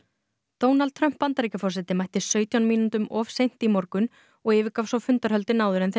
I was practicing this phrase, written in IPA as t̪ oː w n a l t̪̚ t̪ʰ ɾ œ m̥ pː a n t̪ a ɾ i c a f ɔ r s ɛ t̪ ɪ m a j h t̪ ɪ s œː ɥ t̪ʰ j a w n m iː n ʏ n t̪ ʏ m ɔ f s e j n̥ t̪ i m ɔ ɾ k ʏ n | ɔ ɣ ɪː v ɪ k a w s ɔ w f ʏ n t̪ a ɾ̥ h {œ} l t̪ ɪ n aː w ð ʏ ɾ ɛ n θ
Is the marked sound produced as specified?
yes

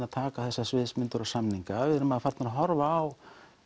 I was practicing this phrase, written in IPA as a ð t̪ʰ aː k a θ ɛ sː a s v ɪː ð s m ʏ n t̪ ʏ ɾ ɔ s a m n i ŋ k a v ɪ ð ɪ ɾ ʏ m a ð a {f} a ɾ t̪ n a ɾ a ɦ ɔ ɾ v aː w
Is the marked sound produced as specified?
yes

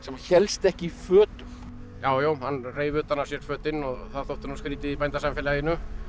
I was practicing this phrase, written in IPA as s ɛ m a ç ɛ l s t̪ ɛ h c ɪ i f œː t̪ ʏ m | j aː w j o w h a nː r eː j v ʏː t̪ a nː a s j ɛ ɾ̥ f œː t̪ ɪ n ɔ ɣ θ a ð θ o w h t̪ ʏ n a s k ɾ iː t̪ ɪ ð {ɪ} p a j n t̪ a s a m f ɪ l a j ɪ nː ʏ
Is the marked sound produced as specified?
no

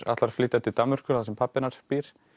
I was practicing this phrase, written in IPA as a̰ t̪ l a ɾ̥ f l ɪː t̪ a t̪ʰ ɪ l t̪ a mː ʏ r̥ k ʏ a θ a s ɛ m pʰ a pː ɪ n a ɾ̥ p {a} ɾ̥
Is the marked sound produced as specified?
no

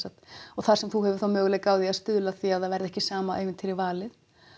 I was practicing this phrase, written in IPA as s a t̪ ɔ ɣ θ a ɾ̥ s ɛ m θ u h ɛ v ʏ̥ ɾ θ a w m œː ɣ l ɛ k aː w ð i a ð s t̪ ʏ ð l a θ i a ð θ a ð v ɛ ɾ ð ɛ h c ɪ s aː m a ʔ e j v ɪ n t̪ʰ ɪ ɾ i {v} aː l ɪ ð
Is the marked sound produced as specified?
yes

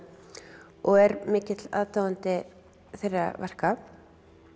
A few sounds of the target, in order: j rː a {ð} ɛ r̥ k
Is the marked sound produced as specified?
no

